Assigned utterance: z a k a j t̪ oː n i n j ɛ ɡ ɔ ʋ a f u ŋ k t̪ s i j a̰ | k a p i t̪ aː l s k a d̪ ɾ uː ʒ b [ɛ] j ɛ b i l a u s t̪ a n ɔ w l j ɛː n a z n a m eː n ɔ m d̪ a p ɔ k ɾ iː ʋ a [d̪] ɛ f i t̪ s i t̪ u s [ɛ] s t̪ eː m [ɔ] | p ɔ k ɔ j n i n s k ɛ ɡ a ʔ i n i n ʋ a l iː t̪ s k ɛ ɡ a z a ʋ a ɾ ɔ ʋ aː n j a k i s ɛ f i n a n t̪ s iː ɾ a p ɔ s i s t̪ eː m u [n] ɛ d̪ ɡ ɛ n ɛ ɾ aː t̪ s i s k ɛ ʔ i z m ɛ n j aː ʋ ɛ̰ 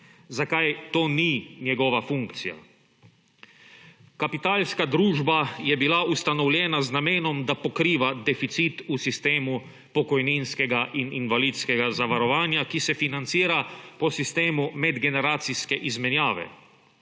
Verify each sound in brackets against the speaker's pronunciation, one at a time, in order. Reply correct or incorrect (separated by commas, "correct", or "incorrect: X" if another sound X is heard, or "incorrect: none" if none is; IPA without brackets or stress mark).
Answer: incorrect: a, correct, incorrect: i, incorrect: u, incorrect: m